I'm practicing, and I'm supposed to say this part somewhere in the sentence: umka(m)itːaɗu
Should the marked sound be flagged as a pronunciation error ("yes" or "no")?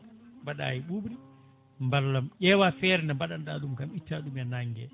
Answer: no